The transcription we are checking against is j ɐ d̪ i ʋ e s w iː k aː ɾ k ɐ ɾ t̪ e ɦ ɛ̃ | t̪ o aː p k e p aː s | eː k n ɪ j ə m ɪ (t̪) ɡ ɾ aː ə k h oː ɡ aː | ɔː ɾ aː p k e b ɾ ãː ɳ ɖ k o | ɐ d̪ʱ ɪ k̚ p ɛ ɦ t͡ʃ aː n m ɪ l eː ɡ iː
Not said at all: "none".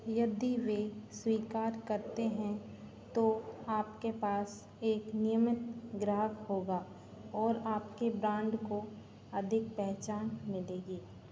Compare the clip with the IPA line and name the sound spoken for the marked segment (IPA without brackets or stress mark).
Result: t̪